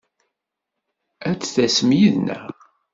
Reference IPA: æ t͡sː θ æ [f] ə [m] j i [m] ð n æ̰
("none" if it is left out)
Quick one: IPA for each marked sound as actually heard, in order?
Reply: s, m, none

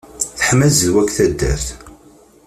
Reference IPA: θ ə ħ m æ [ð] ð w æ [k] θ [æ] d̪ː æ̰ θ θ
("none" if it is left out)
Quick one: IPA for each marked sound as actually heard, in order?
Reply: z, k, æ

